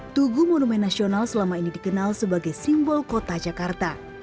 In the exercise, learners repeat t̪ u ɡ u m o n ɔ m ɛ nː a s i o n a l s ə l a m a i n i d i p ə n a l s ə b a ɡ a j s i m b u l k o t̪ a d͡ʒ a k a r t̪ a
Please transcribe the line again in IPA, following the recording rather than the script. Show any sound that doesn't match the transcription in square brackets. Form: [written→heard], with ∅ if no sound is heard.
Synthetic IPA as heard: t̪ u ɡ u m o n [ɔ→u] m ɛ nː a s i o n a l s ə l a m a i n i d i [p→k] ə n a l s ə b a ɡ a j s i m b [u→ɔ] l k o t̪ a d͡ʒ a k a r t̪ a